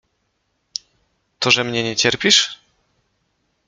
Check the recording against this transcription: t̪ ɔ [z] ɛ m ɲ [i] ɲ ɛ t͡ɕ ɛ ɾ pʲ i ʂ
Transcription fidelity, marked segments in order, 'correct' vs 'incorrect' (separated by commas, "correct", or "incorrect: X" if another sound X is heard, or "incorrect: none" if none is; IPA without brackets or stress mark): incorrect: ʐ, incorrect: ɛ